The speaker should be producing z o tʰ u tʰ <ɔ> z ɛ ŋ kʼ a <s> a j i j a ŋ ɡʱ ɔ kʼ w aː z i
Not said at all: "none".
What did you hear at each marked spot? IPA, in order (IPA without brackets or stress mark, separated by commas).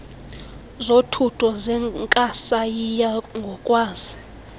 ɔ, s